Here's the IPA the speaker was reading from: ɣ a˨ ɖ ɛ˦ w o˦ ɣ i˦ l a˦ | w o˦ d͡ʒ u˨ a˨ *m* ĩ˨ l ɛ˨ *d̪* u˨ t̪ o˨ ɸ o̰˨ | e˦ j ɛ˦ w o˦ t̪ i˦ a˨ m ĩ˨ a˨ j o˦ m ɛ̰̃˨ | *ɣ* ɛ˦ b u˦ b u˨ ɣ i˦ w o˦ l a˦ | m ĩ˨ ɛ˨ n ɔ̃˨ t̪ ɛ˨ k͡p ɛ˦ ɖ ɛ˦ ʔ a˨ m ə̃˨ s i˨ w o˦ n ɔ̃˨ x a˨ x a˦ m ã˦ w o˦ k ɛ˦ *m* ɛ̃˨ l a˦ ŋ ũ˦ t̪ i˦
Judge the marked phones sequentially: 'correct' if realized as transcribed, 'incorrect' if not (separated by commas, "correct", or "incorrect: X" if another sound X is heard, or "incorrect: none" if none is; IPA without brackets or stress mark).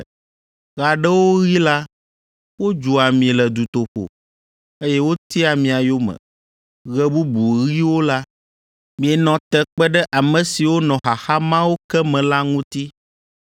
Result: correct, correct, correct, correct